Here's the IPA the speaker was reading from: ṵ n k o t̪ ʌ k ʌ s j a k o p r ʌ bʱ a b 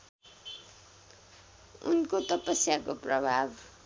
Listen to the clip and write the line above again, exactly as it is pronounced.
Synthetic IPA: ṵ n k o t̪ ʌ p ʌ s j a k o p r ʌ bʱ a b